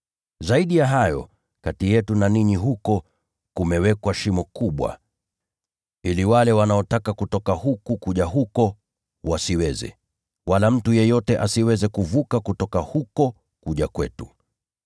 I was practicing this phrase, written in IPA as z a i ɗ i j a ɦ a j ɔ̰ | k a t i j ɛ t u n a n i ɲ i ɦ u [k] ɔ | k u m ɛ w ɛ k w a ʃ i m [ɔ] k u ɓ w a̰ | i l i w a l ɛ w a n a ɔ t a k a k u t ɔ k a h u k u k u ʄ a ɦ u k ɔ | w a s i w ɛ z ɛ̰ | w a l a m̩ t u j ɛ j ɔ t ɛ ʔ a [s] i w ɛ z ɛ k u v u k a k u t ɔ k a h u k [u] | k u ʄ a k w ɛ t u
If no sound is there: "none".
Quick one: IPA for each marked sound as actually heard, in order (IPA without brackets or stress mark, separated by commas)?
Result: k, ɔ, s, ɔ